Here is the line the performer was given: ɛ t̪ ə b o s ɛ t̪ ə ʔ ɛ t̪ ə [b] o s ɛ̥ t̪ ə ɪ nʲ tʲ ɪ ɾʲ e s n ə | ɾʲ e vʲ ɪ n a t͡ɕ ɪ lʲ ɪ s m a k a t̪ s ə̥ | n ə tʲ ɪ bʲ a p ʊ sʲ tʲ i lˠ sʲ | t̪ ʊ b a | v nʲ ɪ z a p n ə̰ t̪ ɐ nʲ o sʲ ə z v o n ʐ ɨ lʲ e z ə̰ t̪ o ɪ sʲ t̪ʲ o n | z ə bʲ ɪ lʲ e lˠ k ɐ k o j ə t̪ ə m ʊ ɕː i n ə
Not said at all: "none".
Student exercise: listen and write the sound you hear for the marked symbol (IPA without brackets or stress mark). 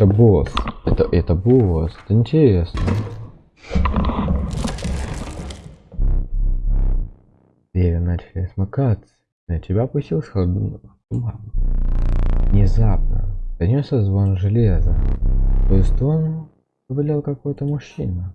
b